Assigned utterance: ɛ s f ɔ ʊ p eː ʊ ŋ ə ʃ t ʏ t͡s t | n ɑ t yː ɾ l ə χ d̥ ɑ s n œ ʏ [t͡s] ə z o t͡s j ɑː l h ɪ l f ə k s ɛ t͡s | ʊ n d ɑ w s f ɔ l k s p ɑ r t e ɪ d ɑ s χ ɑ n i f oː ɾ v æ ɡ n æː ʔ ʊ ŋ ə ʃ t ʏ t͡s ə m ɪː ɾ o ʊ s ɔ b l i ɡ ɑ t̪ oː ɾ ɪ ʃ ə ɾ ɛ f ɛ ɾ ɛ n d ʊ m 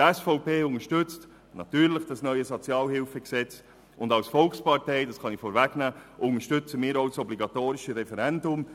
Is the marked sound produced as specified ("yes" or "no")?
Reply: no